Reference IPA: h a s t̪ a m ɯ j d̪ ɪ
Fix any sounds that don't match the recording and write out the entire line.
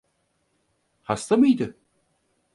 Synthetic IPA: h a s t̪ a m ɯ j d̪ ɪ